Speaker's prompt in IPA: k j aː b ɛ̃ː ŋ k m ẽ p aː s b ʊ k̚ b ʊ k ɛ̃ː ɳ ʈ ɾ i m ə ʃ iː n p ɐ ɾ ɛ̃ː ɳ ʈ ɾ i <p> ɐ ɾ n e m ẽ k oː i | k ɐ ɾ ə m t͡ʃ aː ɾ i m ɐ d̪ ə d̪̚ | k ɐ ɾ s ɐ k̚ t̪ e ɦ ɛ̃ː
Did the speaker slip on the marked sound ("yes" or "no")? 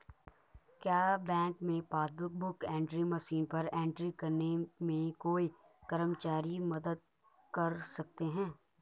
yes